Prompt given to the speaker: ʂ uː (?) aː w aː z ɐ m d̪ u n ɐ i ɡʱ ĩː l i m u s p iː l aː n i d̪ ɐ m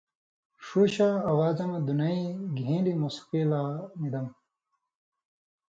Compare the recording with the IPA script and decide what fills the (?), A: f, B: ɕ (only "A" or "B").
B